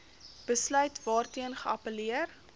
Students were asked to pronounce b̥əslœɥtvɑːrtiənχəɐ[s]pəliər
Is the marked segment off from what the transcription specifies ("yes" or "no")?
yes